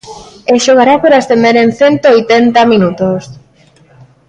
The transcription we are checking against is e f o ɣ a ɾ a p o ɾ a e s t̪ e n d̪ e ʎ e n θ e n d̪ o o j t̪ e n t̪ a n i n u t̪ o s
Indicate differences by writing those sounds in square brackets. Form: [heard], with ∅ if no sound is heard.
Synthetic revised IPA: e [ʃ] o ɣ a ɾ a p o ɾ a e s t̪ e n d̪ e [ɾ] e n θ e n [t̪] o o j t̪ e n t̪ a [m] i n u t̪ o s

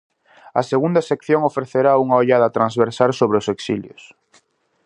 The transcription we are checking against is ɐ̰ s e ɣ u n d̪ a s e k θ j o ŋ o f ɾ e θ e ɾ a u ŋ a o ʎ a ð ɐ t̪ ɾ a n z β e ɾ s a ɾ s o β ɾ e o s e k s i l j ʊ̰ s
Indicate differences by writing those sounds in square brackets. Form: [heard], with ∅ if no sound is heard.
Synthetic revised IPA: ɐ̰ s e ɣ u n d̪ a s e k θ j o ŋ o f ɾ e θ e ɾ a u ŋ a o ʎ a ð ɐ t̪ ɾ a n z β e ɾ s a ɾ s o β ɾ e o s e k s i l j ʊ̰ s

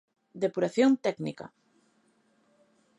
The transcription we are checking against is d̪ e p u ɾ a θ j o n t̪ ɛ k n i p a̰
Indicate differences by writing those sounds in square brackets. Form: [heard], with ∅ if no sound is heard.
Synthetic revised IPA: d̪ e p u ɾ a θ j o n t̪ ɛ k n i [k] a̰

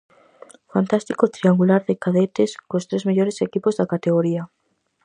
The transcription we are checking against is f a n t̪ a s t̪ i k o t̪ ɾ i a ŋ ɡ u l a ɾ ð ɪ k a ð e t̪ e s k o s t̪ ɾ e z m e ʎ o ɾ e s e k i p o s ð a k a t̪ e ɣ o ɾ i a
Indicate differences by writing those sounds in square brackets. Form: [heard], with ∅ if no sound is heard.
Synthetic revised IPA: f a n t̪ a s t̪ i k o t̪ ɾ i a ŋ ɡ u l a ɾ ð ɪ k a ð e t̪ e s k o s t̪ ɾ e z m e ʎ o ɾ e s e k i p o [z] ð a k a t̪ e ɣ o ɾ i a

